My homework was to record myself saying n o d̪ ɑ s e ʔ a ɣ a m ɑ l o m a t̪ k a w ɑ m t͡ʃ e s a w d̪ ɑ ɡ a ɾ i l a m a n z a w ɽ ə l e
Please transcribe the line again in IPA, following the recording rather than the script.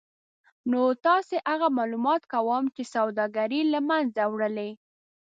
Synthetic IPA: n o t̪ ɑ s e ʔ a ɣ a m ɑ l u m ɑ t̪ k a w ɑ m t͡ʃ e s a w d̪ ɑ ɡ a ɾ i l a m a n z a w ɽ ə l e